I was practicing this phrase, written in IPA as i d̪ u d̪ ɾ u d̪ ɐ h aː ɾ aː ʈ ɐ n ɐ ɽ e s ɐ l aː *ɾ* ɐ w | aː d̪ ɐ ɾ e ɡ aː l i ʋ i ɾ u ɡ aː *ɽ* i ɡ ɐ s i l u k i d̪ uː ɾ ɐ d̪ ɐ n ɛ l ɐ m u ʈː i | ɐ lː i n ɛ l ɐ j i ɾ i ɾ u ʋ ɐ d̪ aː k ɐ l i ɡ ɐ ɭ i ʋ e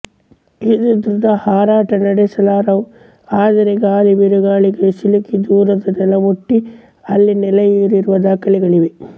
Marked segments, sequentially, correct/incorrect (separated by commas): correct, incorrect